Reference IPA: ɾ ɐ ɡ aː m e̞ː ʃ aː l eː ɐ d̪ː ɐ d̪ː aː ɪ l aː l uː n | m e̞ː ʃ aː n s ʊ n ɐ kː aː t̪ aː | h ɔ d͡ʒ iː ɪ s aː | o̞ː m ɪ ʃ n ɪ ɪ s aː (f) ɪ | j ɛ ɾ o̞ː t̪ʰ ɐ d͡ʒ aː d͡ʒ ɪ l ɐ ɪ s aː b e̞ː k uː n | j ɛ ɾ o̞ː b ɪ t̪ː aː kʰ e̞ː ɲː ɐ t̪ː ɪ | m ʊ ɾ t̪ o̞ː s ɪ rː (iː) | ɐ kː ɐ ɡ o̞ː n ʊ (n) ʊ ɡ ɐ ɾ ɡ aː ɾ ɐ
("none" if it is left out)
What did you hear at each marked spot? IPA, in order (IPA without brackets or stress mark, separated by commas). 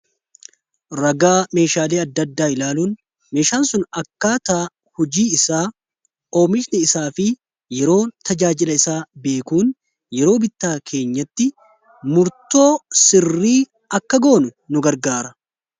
f, iː, n